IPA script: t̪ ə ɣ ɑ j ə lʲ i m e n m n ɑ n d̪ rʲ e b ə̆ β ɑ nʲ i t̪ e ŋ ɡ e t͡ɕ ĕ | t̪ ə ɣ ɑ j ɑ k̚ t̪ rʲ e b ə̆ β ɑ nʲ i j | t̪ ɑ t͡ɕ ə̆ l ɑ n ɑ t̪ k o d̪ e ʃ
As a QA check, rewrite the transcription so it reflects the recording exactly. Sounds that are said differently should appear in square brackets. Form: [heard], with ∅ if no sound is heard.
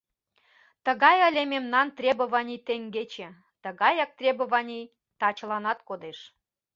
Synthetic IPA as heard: t̪ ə ɣ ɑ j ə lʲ [e] m e [∅] m n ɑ n [t̪] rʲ e b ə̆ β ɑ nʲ i t̪ e ŋ ɡ e t͡ɕ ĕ | t̪ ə ɣ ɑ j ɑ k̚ t̪ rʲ e b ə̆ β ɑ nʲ i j | t̪ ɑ t͡ɕ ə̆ l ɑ n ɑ t̪ k o d̪ e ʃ